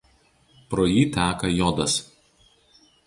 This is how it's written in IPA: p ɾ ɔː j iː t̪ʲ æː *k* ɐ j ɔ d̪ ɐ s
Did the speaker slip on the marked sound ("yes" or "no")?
no